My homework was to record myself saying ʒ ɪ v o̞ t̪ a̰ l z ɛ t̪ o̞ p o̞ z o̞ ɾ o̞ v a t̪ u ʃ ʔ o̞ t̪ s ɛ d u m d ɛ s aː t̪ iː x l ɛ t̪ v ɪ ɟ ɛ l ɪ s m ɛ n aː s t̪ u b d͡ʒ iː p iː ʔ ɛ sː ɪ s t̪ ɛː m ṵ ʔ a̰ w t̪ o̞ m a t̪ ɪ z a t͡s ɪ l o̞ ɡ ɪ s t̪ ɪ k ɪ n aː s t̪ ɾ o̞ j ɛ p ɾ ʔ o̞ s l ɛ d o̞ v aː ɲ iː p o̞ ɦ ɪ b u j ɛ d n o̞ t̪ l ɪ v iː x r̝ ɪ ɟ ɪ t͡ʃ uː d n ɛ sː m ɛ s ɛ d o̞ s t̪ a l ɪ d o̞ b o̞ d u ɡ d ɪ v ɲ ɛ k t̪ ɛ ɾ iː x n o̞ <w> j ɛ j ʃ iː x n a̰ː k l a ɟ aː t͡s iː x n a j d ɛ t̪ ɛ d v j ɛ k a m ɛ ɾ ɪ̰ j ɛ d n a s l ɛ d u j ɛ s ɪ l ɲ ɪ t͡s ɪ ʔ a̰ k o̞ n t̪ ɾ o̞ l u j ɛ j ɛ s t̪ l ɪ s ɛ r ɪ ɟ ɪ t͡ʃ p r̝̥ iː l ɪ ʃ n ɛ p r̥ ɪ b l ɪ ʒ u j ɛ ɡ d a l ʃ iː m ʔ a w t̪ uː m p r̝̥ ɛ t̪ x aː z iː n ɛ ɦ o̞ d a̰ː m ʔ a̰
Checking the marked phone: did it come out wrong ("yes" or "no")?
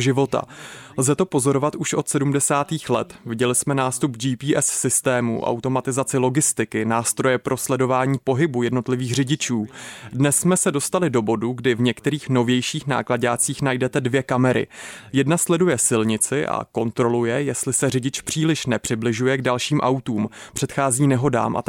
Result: yes